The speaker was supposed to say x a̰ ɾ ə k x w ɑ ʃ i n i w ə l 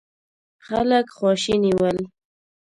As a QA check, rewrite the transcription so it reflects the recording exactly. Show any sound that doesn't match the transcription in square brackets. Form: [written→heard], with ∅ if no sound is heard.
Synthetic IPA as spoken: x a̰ [ɾ→l] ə k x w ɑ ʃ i n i w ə l